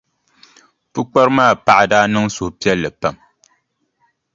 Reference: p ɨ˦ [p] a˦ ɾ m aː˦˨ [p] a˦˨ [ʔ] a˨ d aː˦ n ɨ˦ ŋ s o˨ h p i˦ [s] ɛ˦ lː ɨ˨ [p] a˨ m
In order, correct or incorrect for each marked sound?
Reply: incorrect: k͡p, correct, correct, incorrect: none, correct

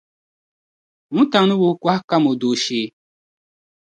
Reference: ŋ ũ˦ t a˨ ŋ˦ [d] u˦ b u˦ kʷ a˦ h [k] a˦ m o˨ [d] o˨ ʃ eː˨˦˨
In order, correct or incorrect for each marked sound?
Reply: incorrect: n, correct, correct

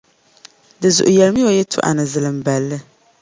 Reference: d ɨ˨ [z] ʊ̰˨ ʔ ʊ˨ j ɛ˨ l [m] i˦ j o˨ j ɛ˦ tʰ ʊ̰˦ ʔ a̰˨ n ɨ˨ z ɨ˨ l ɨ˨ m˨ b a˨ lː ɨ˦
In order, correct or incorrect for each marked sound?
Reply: correct, correct

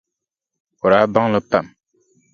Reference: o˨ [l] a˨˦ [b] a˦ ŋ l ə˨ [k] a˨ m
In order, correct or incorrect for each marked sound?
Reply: incorrect: ɾ, correct, incorrect: p

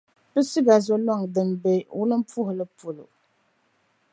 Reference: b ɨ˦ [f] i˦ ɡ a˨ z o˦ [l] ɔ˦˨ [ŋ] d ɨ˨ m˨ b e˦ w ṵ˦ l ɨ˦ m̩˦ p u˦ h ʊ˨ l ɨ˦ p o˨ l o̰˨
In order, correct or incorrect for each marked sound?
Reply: incorrect: s, correct, correct

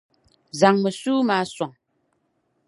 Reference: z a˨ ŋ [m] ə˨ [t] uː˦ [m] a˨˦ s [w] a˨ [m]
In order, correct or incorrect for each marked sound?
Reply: correct, incorrect: s, correct, correct, incorrect: ŋ

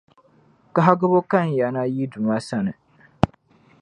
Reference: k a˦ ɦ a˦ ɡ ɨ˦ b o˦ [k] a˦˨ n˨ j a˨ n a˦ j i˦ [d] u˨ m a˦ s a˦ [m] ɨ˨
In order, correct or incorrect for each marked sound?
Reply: correct, correct, incorrect: n

